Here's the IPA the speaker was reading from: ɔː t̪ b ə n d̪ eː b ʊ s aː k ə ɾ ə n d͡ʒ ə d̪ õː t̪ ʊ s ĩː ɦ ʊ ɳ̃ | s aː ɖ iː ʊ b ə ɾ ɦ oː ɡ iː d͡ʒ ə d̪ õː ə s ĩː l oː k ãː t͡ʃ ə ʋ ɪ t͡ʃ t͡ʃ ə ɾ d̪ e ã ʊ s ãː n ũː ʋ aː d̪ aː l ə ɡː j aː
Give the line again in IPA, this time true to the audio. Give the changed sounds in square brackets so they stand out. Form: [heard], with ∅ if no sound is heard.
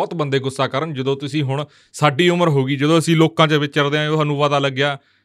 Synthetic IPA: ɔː t̪ b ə n d̪ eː [ɡ] ʊ s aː k ə ɾ ə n d͡ʒ ə d̪ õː t̪ ʊ s ĩː ɦ ʊ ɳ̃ | s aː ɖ iː ʊ [m] ə ɾ ɦ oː ɡ iː d͡ʒ ə d̪ õː ə s ĩː l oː k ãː t͡ʃ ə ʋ ɪ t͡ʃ t͡ʃ ə ɾ d̪ e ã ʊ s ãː n ũː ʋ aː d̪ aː l ə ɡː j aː